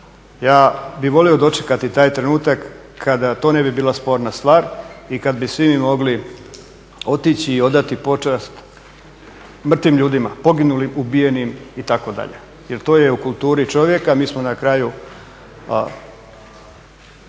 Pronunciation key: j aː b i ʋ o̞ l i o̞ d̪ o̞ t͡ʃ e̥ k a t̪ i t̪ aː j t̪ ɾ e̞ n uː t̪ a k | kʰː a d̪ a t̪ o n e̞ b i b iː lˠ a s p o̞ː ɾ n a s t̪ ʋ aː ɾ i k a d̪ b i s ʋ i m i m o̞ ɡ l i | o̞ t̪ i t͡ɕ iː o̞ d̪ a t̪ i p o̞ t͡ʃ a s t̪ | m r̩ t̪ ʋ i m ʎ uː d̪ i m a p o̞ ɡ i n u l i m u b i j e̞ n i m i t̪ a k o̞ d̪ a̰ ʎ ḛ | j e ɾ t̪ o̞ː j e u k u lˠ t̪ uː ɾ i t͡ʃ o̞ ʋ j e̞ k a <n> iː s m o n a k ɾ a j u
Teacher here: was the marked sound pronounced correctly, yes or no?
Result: no